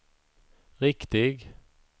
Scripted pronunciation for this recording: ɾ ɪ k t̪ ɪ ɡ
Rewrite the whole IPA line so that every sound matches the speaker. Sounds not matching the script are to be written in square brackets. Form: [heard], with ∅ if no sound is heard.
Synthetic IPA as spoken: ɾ ɪ k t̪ ɪ ɡ